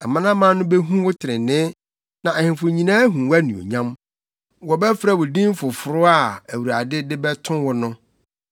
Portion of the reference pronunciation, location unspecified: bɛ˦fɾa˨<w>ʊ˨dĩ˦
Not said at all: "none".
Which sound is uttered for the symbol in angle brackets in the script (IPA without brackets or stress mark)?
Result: w